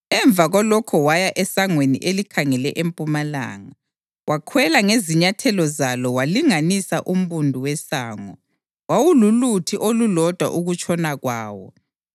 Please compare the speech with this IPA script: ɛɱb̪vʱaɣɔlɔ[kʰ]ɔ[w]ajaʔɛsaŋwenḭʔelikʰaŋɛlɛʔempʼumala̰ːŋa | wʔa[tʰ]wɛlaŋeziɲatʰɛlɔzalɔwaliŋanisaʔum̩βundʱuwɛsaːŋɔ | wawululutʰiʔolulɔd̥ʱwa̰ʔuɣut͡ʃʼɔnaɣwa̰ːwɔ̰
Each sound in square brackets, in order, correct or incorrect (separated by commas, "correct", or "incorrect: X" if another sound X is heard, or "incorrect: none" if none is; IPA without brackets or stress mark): correct, correct, incorrect: kʰ